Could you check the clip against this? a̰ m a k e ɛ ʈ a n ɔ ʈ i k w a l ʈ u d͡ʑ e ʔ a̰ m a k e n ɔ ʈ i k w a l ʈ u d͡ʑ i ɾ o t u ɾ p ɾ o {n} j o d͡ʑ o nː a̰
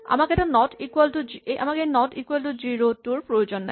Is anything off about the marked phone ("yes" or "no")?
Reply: yes